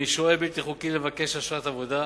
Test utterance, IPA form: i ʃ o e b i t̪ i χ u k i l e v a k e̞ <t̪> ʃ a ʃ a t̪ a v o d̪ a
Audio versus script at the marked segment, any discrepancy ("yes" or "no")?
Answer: yes